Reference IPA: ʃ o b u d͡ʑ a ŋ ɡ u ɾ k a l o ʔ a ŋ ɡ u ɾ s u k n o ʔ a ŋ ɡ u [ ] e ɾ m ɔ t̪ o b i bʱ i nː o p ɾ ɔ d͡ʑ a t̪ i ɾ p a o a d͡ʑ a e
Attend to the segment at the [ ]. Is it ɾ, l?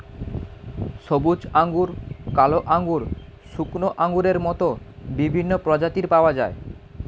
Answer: ɾ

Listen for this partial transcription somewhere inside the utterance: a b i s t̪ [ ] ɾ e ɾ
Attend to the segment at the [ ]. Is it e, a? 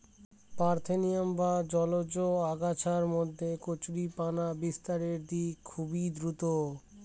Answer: a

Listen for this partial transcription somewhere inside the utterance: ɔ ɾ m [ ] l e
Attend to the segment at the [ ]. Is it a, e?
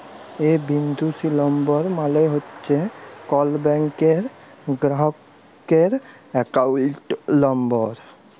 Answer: a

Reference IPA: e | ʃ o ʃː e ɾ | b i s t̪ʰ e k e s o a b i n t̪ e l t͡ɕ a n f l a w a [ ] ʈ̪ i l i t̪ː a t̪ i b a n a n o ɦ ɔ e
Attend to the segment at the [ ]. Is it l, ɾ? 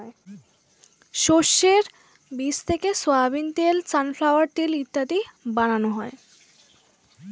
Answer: ɾ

